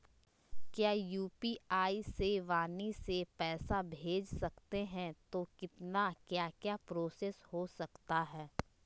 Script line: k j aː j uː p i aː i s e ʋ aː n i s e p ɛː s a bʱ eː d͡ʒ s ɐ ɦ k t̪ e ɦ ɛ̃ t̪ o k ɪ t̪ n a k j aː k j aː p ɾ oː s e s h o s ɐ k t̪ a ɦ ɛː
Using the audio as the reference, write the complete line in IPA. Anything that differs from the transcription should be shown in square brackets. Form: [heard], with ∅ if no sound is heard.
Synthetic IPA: k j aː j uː p i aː i s e ʋ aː n i s e p ɛː s a bʱ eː d͡ʒ s ɐ [∅] k t̪ e ɦ ɛ̃ t̪ o k ɪ t̪ n a k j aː k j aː p ɾ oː s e s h o s ɐ k t̪ a ɦ ɛː